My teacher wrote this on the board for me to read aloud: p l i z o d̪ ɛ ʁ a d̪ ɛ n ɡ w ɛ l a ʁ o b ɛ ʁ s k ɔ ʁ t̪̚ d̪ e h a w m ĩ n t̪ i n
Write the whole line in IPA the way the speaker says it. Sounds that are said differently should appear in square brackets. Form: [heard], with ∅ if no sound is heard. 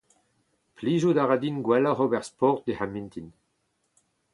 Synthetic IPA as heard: p l i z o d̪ [a] ʁ a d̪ [i] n ɡ w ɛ l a ʁ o b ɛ ʁ s [p] ɔ ʁ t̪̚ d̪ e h a [∅] m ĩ n t̪ i n